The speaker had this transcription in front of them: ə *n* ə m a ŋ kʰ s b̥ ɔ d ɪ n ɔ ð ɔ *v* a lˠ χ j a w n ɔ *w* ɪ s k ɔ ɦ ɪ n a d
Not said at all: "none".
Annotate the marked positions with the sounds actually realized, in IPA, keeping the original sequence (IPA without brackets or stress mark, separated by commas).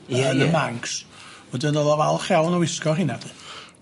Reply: n, v, w